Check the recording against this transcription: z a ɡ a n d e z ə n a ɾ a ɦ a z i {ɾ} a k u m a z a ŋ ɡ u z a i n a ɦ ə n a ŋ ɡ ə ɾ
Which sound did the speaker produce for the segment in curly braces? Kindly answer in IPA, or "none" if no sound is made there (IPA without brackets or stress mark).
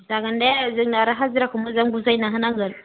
ɾ